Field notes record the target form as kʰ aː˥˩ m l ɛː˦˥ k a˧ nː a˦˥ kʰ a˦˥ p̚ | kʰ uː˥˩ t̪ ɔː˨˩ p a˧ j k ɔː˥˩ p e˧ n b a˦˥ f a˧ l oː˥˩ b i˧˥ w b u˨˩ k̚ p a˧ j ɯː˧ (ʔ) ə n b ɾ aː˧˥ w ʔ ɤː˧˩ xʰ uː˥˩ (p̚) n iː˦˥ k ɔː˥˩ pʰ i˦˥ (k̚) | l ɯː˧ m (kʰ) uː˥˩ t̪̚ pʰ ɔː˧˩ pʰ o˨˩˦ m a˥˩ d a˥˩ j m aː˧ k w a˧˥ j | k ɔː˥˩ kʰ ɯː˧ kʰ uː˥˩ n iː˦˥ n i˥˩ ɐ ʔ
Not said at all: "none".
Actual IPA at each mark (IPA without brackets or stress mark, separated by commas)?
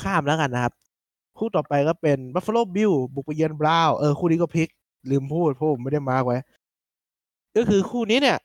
none, none, k̚, pʰ